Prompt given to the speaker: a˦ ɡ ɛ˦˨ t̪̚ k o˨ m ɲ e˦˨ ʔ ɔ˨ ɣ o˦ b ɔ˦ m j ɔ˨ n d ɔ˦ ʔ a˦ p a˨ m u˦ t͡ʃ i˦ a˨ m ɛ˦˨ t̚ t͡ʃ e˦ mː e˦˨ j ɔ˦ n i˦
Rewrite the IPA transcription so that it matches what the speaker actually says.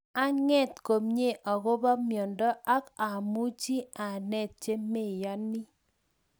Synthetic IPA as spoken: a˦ ŋ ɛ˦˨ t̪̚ k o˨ m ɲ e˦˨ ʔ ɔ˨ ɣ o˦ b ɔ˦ m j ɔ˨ n d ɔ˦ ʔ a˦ k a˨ m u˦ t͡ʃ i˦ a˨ n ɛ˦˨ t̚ t͡ʃ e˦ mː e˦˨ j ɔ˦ n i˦

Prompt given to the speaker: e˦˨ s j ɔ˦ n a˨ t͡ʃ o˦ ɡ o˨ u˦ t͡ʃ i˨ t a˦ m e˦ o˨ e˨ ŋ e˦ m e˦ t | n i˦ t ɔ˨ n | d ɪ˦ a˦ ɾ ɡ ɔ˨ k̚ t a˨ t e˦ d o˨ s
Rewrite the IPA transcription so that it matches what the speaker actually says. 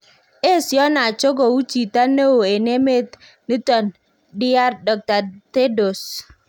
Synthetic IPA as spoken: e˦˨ s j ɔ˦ n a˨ t͡ʃ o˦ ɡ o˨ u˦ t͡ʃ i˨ t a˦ n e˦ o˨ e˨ n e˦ m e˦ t | n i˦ t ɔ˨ n | d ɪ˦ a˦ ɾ d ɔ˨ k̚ t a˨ t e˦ d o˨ s

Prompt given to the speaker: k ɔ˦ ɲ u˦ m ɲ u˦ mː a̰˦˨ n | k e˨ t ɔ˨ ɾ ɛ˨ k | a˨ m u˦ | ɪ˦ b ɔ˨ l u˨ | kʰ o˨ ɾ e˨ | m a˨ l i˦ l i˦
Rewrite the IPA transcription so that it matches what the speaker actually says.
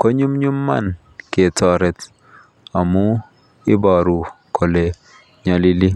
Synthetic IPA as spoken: k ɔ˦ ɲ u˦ m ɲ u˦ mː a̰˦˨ n | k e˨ t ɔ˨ ɾ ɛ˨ t | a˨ m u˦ | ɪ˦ b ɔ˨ ɾ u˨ | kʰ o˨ l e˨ | ɲ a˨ l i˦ l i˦

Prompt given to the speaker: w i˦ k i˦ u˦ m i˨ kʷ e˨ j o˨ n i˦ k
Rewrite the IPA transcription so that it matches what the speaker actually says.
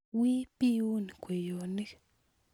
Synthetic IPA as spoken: w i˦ p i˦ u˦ n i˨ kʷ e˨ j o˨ n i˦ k

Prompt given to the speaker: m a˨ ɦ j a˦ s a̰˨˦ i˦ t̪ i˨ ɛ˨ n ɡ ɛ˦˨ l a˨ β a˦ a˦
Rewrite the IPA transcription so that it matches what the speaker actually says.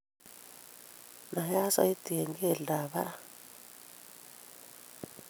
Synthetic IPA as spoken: n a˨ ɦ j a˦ s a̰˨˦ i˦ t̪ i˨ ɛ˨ ŋ ɡ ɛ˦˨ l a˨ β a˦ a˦

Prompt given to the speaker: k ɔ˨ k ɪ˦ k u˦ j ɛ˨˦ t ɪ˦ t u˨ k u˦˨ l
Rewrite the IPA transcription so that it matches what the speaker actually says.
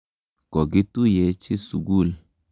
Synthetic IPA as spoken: k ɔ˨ ɡ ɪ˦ t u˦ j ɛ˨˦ t͡ʃ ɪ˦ s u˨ ɡ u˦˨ l

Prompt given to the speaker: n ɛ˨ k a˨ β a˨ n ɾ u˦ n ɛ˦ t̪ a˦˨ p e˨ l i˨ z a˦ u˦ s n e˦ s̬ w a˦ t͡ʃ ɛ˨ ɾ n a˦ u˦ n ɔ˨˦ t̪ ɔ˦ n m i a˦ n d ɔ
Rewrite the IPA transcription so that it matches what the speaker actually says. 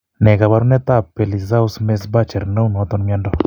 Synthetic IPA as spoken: n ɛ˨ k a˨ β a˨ ɾ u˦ n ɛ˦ t̪ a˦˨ p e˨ l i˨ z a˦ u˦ s m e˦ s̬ b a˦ t͡ʃ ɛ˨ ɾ n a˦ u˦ n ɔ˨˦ t̪ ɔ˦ n m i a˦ n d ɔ

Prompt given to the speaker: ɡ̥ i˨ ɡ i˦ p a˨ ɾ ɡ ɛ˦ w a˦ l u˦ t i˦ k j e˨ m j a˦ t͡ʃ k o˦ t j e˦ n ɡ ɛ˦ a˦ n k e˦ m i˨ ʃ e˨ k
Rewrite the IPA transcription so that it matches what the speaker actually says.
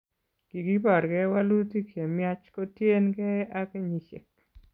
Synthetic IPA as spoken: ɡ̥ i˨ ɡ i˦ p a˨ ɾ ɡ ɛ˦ w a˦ l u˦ t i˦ k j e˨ m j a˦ t͡ʃ k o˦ t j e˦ n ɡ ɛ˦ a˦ k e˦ ɲ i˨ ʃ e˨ k

